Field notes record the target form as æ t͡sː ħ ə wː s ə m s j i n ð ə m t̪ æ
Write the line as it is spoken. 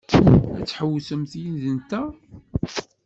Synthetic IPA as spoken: æ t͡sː ħ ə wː s ə m θ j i n ð ə n t̪ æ